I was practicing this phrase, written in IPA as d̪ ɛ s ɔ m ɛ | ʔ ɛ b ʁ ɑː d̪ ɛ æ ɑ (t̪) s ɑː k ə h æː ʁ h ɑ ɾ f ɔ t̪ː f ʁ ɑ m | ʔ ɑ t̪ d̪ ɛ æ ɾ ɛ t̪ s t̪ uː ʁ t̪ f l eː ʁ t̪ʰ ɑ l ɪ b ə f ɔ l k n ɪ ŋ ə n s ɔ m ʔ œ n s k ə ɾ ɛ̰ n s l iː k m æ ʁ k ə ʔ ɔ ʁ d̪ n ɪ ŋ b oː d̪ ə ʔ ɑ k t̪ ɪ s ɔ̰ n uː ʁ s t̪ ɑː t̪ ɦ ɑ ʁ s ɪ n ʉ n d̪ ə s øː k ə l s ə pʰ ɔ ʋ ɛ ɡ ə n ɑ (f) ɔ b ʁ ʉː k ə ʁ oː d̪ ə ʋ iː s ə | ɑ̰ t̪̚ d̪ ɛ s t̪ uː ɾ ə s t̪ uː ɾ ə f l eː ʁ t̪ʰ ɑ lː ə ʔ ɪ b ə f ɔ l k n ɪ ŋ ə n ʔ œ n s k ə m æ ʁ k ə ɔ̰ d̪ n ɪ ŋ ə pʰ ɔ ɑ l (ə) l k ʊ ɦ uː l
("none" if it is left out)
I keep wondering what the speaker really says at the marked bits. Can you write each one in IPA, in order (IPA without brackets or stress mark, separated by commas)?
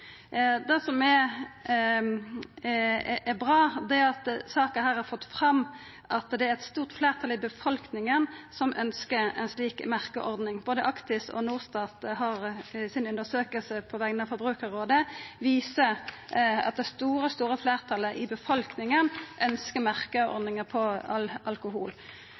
t̪, f, ɑ